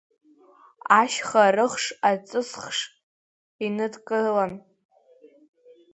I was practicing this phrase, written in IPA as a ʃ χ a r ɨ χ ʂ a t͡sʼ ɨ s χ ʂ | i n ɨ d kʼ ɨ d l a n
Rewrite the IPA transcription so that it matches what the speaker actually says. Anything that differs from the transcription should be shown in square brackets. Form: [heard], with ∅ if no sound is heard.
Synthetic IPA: a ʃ χ a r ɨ χ ʂ a t͡sʼ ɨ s χ ʂ | i n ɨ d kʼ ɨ [∅] l a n

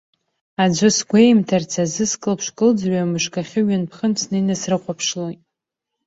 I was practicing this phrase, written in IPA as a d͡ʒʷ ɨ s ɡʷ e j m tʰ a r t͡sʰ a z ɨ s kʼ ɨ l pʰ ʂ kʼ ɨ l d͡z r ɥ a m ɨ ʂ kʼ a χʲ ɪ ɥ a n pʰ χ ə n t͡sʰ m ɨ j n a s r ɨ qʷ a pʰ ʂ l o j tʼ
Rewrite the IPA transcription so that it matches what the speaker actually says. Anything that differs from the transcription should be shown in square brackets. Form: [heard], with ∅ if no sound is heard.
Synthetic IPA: a d͡ʒʷ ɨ s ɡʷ e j m tʰ a r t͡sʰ a z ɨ s kʼ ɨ l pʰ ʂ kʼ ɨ l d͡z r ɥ a m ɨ ʂ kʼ a χʲ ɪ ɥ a n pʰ χ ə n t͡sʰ [n] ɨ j n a s r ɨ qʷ a pʰ ʂ l o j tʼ

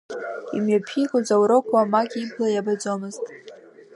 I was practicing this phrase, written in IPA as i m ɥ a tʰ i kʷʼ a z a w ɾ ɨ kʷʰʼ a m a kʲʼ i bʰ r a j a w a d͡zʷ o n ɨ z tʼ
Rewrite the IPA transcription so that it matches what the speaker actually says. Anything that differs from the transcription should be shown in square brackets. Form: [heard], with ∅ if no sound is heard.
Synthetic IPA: i m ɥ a [pʰ] i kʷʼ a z a w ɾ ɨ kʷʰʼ a m a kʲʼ i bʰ [l] a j a [b] a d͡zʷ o [m] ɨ z tʼ

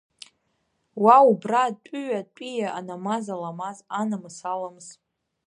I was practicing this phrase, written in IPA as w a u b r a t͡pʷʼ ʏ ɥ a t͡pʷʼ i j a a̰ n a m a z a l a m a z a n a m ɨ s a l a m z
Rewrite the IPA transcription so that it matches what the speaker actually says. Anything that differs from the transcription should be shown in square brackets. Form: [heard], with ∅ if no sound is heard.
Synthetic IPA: w a u b r a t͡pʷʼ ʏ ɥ a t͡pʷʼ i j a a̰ n a m a z a l a m a z a n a m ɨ s a l a m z

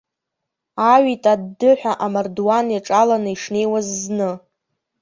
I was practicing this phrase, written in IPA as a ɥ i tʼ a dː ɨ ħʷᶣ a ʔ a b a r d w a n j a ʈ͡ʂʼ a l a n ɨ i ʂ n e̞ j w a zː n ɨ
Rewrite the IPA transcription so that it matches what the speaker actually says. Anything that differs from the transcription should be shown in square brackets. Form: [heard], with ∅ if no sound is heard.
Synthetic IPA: a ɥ i tʼ a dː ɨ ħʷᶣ a ʔ a [m] a r d w a n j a ʈ͡ʂʼ a l a n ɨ i ʂ n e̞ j w a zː n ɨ

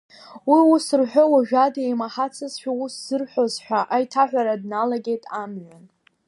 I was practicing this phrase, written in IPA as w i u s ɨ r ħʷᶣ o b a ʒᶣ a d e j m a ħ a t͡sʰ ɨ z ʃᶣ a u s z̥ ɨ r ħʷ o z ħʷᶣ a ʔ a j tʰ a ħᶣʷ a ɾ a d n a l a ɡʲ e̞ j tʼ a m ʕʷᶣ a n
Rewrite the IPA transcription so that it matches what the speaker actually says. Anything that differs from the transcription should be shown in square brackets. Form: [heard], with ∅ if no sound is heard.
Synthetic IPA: w i u s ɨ r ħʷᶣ o [w] a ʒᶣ a d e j m a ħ a t͡sʰ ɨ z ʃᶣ a u s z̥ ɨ r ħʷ o z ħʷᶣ a ʔ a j tʰ a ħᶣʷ a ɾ a d n a l a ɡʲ e̞ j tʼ a m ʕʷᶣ a n

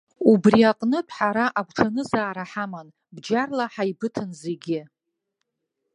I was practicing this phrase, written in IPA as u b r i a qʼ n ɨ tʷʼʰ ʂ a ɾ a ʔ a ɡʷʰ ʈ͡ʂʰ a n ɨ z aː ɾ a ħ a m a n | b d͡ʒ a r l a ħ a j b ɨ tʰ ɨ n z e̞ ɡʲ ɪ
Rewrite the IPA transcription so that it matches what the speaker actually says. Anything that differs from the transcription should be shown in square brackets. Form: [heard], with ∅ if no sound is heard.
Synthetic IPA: u b r i a qʼ n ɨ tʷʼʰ [ħ] a ɾ a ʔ a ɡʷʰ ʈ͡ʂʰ a n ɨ z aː ɾ a ħ a m a n | b d͡ʒ a r l a ħ a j b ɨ tʰ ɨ n z e̞ ɡʲ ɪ

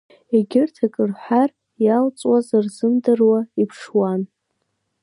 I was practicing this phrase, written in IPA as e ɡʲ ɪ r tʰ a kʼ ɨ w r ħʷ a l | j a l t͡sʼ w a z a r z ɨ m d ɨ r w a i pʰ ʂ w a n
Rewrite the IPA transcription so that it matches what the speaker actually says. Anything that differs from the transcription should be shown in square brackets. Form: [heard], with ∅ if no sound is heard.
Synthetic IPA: e ɡʲ ɪ r tʰ a kʼ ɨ [∅] r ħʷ a [r] | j a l t͡sʼ w a z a r z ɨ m d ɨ r w a i pʰ ʂ w a n

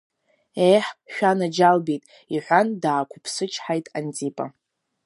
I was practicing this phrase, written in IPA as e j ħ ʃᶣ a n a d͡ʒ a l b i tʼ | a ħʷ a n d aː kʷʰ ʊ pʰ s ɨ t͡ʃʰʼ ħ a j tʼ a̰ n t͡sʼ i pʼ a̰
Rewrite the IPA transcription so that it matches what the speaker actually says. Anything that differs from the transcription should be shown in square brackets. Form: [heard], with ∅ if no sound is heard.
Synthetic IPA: e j ħ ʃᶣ a n a d͡ʒ a l b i tʼ | [i] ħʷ a n d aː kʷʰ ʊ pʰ s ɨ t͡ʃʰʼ ħ a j tʼ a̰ n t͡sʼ i pʼ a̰

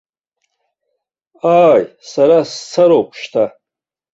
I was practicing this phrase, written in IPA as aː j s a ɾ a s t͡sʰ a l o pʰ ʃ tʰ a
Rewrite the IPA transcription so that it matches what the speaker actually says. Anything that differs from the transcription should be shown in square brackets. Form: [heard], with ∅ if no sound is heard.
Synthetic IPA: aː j s a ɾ a s t͡sʰ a [ɾ] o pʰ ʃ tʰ a

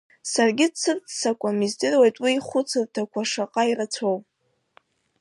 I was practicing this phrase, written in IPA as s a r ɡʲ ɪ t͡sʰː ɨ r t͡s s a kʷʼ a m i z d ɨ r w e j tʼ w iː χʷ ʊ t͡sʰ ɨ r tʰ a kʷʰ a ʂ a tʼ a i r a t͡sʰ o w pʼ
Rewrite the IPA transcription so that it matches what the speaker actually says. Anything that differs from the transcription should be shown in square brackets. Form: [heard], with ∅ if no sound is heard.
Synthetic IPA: s a r ɡʲ ɪ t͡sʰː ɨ r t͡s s a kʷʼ a m i z d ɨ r w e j tʼ w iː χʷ ʊ t͡sʰ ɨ r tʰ a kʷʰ a ʂ a [qʼ] a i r a t͡sʰ o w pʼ

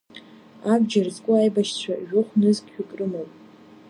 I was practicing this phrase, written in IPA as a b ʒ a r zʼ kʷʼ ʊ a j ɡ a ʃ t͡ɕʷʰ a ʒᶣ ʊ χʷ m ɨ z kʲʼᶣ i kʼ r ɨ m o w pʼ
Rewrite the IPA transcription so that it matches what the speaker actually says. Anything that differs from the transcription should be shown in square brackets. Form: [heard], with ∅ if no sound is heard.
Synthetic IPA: a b [d͡ʒ] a r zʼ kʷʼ ʊ a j [b] a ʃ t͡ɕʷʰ a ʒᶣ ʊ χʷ [n] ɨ z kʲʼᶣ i kʼ r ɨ m o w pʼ

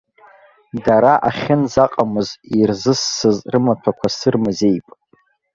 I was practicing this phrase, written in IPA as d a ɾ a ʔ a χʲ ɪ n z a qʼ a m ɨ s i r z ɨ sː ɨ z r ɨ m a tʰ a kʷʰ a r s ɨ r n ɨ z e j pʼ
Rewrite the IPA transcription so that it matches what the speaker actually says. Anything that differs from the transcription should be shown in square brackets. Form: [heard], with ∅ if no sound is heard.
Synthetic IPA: d a ɾ a ʔ a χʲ ɪ n z a qʼ a m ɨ [z] i r z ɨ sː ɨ z r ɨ m a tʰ a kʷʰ a [∅] s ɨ r [m] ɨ z e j pʼ

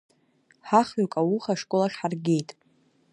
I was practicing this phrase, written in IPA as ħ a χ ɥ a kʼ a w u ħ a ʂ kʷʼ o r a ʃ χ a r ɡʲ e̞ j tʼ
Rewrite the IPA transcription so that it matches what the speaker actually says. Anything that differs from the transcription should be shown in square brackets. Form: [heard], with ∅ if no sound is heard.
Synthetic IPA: ħ a χ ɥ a kʼ a w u [χ] a ʂ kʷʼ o [l] a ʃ [ħ] a r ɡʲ e̞ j tʼ

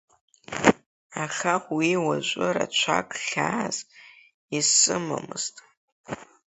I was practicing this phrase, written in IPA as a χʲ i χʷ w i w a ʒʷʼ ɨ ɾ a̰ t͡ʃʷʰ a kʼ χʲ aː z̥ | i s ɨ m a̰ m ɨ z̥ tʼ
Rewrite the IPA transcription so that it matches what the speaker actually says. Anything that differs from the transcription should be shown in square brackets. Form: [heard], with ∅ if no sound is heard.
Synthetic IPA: a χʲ [a] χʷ w i w a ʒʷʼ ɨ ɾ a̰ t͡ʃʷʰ a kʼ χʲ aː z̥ | i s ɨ m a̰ m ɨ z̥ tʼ

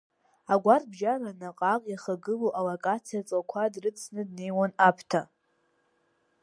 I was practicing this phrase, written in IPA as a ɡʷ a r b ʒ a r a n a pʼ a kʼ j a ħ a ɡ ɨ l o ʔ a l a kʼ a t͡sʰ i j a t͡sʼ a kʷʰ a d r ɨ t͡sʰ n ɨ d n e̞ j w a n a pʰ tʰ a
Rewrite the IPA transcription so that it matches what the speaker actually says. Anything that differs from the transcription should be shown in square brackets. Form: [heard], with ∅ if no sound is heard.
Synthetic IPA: a ɡʷ a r b ʒ a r a n a [qʼ] a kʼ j a [χ] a ɡ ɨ l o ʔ a l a kʼ a t͡sʰ i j a t͡sʼ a kʷʰ a d r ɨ t͡sʰ n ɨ d n e̞ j w a n a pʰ tʰ a

